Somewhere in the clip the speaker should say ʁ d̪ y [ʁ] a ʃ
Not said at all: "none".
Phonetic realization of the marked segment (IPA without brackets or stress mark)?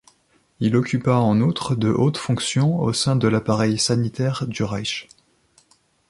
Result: ʁ